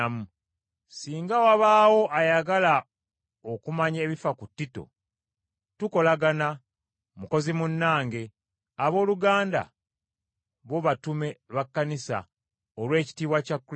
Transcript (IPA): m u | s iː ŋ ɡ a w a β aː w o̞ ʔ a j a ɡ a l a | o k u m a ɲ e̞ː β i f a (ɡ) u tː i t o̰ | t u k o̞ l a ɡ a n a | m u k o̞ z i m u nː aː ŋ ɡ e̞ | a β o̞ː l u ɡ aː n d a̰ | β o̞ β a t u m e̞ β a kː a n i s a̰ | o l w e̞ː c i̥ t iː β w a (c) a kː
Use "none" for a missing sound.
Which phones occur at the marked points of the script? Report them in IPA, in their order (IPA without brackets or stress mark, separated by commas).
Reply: k, c